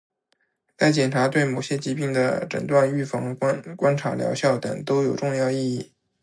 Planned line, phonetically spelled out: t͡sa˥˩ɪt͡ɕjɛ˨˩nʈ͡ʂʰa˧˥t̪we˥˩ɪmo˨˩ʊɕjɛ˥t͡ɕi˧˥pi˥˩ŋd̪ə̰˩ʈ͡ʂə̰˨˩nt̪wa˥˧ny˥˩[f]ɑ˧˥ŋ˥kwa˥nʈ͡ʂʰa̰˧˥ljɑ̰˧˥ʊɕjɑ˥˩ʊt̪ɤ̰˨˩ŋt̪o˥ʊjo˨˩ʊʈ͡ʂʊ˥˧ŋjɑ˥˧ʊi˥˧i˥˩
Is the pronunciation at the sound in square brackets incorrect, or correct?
correct